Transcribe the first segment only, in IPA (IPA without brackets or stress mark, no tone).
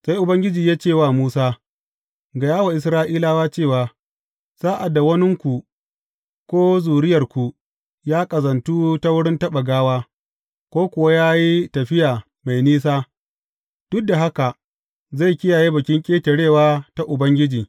s